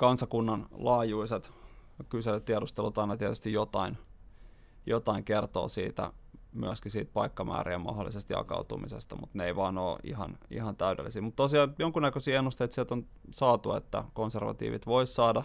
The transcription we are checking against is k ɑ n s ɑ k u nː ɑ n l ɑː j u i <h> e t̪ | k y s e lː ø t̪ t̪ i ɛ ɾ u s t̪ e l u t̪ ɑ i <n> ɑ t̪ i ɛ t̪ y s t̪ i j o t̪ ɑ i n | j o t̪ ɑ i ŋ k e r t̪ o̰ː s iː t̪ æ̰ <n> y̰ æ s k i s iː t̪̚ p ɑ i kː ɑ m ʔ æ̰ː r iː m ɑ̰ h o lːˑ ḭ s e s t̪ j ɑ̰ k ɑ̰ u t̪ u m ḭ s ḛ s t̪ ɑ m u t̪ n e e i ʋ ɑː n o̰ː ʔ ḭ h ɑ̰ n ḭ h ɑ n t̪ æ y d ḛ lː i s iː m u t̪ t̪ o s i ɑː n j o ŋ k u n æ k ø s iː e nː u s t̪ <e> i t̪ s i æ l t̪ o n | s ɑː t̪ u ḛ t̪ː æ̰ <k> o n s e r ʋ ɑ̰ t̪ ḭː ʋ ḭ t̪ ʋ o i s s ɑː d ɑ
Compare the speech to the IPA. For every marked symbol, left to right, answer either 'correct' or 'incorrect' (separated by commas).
incorrect, correct, incorrect, correct, correct